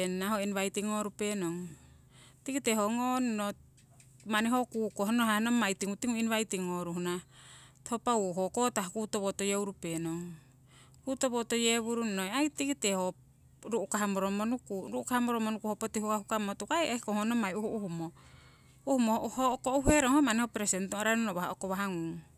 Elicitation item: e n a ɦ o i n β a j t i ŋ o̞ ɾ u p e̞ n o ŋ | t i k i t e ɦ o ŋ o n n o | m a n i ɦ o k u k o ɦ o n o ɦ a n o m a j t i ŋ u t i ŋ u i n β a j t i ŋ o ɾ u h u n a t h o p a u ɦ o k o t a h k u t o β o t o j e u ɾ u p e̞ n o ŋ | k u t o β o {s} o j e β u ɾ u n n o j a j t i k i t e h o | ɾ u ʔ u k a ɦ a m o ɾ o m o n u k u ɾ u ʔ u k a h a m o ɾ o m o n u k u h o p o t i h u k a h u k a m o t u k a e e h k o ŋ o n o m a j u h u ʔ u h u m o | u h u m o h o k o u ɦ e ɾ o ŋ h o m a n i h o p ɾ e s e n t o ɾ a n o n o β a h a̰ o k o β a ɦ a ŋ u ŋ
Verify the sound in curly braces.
incorrect: t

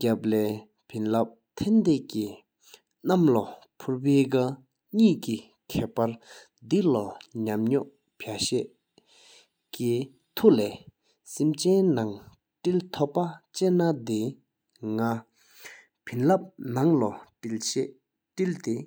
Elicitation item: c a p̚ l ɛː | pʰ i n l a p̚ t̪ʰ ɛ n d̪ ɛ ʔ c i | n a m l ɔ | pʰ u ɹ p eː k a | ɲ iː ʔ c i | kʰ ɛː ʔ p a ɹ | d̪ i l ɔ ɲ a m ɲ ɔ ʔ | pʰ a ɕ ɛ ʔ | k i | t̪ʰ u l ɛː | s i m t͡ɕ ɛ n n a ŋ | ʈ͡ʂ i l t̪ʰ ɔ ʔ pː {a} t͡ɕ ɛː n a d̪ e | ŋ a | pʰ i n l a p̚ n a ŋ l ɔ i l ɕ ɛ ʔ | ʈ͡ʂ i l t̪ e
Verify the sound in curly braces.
correct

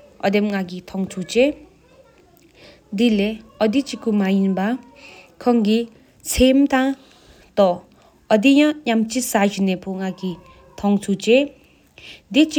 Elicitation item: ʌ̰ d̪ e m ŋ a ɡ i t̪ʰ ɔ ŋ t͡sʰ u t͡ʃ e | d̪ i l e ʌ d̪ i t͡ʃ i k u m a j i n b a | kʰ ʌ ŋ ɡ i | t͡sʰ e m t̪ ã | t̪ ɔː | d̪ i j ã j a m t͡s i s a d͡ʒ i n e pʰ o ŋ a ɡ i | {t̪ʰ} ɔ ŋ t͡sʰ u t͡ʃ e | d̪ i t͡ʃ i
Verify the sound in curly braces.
correct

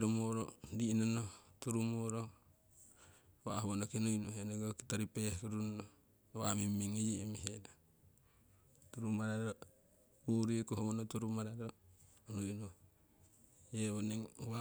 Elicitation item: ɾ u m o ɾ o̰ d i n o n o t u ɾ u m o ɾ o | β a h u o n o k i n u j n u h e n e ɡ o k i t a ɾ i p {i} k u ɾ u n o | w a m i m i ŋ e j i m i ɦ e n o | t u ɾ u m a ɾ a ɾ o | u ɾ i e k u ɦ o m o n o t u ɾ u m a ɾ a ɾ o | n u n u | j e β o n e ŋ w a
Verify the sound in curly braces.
incorrect: e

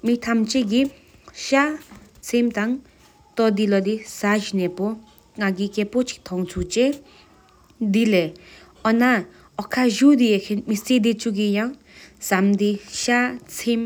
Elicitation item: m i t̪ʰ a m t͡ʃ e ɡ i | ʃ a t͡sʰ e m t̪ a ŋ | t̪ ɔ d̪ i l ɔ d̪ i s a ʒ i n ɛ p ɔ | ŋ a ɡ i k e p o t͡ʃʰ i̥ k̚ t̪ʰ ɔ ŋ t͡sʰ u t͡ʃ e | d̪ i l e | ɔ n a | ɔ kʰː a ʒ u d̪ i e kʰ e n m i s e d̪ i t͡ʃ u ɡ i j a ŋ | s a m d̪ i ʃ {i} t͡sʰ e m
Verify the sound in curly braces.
incorrect: a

